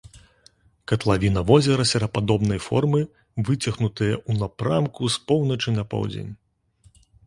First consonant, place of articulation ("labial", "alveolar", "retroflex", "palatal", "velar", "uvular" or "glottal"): velar